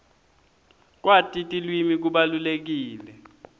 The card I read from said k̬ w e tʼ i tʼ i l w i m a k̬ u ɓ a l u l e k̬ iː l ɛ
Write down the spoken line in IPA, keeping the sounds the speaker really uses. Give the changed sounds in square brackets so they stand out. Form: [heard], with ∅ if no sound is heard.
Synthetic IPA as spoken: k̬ w [a] tʼ i tʼ i l w i m [i] k̬ u ɓ a l u l e k̬ iː l ɛ